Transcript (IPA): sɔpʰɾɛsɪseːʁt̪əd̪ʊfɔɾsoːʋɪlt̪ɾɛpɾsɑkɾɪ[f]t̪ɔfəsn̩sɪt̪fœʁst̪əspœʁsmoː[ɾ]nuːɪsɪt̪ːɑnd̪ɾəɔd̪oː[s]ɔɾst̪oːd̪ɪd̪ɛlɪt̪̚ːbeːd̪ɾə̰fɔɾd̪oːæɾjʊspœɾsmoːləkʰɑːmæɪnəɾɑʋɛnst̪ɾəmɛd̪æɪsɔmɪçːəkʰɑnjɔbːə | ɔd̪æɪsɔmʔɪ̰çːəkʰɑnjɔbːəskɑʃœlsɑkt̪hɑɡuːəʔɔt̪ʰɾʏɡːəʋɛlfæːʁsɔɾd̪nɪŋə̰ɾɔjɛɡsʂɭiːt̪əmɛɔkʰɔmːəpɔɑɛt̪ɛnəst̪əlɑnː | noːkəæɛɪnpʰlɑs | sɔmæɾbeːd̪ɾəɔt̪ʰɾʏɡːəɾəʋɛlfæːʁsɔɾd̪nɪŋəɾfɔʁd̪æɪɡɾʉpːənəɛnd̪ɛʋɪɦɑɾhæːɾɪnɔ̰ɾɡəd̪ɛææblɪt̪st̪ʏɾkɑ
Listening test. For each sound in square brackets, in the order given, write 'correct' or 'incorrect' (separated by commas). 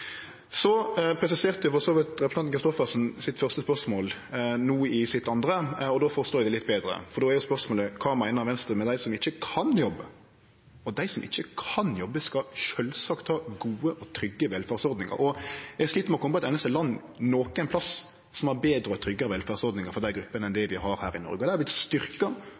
incorrect, incorrect, incorrect